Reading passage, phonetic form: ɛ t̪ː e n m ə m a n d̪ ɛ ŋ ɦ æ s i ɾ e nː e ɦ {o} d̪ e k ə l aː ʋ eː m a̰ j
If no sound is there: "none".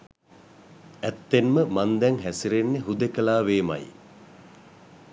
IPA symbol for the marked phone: u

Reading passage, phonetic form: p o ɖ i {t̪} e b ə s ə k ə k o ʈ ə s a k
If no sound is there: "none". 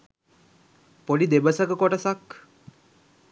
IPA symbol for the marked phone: d̪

